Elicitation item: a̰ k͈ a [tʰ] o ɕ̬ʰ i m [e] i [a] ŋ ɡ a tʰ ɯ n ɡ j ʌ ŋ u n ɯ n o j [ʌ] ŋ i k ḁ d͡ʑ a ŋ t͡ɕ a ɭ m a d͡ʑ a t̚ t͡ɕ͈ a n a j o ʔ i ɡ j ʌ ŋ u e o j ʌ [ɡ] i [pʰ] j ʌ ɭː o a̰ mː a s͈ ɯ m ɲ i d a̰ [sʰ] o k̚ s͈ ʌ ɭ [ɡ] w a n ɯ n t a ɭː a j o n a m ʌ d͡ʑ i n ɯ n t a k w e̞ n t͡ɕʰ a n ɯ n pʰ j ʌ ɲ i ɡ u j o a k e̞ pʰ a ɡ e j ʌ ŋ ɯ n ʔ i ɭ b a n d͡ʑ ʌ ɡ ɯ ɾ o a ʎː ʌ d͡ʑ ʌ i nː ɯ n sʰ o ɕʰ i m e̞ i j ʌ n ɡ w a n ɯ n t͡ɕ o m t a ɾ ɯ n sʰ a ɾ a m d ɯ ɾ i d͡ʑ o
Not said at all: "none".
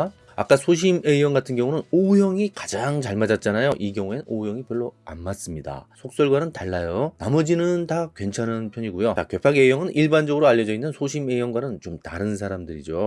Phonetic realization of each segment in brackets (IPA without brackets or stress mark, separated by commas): sʰ, e, ʌ, ʌ, ŋ, p, sʰ, ɡ